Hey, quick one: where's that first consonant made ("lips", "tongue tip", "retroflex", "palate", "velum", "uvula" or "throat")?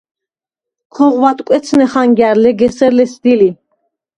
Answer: velum